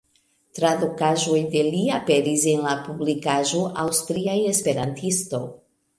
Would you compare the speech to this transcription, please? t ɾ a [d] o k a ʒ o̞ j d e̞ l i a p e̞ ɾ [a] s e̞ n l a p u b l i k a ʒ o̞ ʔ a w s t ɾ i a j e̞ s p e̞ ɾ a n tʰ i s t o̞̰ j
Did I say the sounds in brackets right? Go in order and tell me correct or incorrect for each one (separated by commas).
correct, incorrect